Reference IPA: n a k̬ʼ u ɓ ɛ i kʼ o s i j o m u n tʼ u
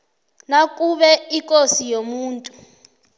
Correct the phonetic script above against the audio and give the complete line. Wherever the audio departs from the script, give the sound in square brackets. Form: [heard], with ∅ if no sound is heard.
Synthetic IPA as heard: n a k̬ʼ u ɓ ɛ i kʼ o s i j o m [uː] n tʼ u